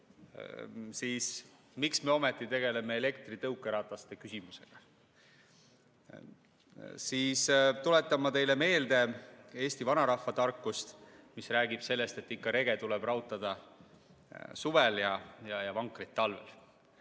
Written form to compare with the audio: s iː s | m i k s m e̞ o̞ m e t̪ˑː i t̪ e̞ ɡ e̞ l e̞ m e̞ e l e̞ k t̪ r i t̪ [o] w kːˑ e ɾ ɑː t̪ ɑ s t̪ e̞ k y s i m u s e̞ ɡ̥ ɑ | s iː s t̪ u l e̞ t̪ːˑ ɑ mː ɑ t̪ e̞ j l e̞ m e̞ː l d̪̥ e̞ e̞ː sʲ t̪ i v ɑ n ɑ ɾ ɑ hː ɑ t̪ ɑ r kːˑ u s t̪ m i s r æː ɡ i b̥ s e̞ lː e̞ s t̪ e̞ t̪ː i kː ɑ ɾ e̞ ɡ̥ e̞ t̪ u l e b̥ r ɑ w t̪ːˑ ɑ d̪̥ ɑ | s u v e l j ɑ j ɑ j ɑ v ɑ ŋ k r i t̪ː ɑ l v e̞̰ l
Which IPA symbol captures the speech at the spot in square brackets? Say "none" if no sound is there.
ɤ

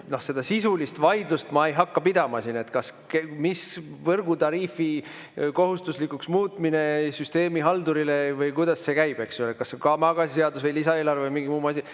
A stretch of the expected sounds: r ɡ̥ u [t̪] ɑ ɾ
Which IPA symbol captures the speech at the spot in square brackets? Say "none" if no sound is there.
t̪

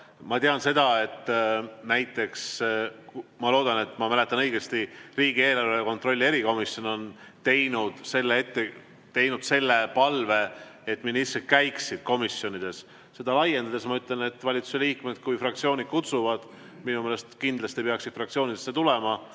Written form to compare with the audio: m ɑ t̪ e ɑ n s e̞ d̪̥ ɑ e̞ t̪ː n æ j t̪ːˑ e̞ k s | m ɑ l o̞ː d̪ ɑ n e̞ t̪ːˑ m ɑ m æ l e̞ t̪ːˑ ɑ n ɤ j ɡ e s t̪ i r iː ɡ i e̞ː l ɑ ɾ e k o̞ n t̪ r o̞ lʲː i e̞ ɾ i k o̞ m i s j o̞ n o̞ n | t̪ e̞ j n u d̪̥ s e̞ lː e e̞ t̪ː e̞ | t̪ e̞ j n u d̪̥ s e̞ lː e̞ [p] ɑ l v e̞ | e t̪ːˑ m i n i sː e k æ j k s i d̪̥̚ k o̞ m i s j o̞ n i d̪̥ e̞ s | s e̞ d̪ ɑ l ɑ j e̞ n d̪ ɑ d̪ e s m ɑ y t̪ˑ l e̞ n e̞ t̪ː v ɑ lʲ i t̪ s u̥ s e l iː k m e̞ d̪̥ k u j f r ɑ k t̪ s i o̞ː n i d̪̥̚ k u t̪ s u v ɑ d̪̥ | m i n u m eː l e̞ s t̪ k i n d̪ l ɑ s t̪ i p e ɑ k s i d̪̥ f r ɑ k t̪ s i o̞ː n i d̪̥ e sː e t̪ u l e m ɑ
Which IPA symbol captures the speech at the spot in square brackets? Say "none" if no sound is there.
p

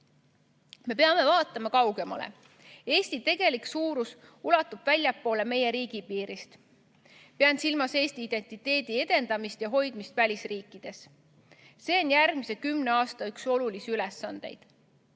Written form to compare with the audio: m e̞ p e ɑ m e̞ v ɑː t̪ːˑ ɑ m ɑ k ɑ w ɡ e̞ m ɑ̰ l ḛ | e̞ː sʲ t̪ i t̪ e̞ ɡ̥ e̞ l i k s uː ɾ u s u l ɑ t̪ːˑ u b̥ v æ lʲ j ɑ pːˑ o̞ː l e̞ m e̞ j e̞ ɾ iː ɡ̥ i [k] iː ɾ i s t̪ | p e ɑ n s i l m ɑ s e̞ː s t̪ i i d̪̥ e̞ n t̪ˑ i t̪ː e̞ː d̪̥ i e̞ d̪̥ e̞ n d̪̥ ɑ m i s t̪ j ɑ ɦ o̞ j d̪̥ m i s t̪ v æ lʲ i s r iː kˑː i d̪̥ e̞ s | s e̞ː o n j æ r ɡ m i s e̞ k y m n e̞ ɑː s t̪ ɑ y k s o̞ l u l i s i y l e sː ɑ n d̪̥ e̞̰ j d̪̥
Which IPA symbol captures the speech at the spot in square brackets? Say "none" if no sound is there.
p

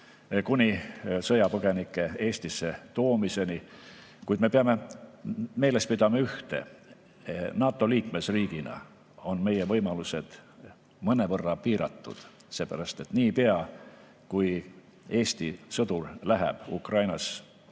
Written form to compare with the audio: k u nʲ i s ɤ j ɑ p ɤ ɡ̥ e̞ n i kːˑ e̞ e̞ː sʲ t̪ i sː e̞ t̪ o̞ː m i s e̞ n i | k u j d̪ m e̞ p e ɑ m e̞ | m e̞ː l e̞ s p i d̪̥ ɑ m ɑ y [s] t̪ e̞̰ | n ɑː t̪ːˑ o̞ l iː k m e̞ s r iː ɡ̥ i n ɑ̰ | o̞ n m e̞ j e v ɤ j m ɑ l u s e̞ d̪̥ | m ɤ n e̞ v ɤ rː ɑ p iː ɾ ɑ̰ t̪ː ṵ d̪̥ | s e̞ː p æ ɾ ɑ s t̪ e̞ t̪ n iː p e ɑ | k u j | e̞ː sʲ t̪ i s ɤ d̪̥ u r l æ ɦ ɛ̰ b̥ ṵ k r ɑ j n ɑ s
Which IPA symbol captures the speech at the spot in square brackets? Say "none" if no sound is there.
h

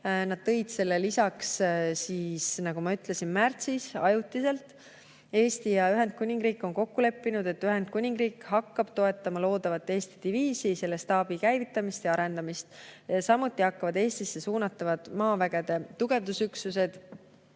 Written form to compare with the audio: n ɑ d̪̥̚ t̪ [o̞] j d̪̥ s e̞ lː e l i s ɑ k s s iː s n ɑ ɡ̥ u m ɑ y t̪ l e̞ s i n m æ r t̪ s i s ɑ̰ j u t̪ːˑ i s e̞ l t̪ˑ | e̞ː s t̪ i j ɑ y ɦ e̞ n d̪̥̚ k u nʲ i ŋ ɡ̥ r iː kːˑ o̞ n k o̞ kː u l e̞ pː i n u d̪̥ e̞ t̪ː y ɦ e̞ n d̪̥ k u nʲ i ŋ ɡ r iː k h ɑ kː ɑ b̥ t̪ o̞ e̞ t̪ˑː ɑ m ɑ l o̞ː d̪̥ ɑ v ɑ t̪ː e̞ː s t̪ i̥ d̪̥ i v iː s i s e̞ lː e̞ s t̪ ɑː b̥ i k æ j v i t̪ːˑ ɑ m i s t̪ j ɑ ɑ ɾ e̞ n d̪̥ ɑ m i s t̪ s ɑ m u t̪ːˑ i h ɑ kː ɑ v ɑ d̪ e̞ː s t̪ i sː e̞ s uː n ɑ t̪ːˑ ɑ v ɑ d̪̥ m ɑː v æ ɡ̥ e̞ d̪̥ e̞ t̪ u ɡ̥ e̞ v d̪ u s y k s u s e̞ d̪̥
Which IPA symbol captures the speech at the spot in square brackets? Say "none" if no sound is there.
ɤ̞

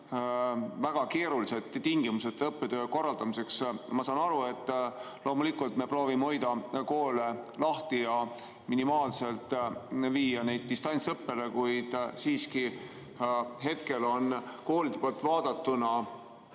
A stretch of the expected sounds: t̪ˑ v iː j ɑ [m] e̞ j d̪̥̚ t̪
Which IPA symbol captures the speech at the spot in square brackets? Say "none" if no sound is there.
n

